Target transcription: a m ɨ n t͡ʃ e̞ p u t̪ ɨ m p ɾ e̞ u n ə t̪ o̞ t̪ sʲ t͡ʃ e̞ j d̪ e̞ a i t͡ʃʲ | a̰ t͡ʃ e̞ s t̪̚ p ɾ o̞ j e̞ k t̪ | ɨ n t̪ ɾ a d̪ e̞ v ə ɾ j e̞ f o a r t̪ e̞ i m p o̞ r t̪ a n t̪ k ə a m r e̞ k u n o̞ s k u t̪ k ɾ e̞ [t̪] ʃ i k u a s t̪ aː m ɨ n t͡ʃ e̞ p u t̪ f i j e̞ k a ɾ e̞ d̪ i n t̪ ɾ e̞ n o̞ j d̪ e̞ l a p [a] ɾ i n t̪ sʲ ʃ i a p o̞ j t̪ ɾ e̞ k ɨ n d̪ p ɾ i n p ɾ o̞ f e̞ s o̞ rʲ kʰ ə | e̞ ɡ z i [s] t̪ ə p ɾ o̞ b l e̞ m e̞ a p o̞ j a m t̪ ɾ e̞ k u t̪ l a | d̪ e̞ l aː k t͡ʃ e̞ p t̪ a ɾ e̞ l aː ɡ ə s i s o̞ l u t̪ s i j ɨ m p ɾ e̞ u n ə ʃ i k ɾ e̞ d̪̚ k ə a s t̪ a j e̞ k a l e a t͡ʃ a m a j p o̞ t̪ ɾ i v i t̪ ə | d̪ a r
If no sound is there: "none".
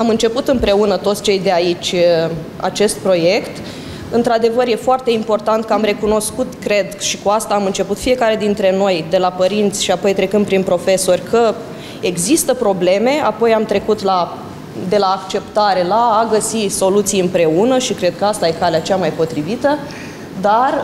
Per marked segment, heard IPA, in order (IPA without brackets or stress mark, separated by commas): d̪, ə, s